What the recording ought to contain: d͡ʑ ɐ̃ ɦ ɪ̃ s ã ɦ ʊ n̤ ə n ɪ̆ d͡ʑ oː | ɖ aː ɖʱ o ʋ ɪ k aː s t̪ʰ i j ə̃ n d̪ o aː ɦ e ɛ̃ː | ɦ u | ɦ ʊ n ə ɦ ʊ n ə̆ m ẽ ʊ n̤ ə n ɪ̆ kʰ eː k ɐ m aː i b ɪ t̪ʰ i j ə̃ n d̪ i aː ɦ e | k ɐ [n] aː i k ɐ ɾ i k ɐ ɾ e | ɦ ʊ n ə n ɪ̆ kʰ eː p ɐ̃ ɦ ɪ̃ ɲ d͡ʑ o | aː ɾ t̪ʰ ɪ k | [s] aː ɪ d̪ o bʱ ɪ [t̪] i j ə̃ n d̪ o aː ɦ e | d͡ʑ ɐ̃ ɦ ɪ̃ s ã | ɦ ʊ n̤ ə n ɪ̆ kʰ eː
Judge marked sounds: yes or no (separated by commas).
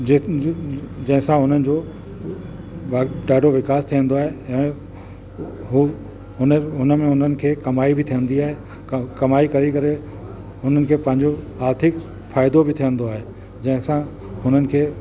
no, no, no